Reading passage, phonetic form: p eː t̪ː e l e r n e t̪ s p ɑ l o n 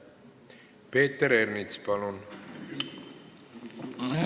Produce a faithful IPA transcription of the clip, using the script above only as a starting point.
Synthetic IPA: p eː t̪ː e ɾ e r n i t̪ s p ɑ l u n